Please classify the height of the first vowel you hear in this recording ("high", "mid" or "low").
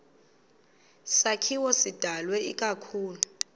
low